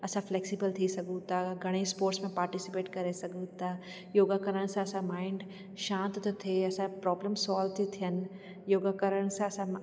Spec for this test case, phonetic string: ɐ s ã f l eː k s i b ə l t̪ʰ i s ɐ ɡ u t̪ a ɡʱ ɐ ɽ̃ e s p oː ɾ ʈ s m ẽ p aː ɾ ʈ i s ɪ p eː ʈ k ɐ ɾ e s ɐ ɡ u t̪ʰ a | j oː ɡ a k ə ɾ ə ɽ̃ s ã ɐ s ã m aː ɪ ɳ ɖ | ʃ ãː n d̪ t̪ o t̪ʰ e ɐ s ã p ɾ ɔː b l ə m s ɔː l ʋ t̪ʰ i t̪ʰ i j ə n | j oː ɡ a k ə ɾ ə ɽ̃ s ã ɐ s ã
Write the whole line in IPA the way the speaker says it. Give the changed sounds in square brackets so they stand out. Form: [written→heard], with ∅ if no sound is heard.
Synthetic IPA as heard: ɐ s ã f l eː k s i b ə l t̪ʰ i s ɐ ɡ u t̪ a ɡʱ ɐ ɽ̃ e s p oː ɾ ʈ s m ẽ p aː ɾ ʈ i s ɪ p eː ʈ k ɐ ɾ e s ɐ ɡ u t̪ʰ a | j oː ɡ a k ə ɾ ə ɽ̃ s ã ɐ s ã m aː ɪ ɳ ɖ | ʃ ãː n [d̪→t̪] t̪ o t̪ʰ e ɐ s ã p ɾ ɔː b l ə m s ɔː l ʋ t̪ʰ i t̪ʰ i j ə n | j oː ɡ a k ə ɾ ə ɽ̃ s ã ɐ s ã